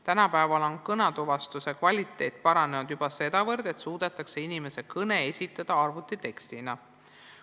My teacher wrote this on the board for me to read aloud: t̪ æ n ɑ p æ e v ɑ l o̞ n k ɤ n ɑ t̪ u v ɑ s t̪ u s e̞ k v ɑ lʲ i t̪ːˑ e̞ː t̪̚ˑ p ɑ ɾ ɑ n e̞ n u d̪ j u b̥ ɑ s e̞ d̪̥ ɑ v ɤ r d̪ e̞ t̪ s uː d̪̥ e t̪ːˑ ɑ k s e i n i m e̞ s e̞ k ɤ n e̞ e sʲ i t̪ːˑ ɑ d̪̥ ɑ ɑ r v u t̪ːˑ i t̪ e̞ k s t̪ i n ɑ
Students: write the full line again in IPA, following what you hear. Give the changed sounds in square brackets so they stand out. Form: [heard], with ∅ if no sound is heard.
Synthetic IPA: t̪ æ n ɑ p æ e v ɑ l o̞ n k ɤ n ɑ t̪ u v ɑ s t̪ u s e̞ k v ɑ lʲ i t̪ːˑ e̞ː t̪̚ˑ p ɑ ɾ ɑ n e̞ n u d̪ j u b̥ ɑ s e̞ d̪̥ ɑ v ɤ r d̪ e̞ t̪ s uː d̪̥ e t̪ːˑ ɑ k s e i n i m e̞ s e̞ k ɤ n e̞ e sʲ i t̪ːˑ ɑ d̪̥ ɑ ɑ r v u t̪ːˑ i t̪ e̞ k s t̪ i n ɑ